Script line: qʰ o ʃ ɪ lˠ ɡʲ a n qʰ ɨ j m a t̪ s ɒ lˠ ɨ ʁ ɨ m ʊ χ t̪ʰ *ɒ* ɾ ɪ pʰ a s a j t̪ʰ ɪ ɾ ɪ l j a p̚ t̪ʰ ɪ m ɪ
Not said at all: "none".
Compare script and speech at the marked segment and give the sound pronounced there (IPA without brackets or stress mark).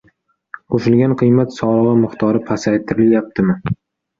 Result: ɒ